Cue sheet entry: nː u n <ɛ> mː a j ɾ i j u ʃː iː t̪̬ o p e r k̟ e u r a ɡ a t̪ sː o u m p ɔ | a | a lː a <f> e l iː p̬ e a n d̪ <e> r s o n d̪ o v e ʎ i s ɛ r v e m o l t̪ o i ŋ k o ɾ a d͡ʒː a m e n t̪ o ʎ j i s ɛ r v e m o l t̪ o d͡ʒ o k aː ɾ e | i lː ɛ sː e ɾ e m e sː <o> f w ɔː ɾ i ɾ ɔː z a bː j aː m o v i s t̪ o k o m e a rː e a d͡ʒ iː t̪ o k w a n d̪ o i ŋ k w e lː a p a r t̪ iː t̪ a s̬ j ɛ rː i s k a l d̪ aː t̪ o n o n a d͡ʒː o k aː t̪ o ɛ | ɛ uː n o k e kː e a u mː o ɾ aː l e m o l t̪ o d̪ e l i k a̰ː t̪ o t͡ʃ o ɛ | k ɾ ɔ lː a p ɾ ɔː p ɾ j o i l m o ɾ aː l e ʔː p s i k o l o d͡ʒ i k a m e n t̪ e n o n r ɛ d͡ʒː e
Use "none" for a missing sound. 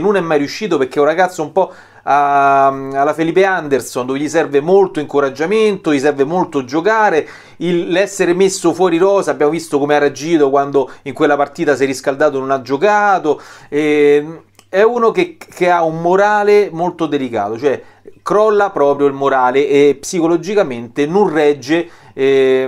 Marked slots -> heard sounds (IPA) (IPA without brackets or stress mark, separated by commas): ɛ, f, e, o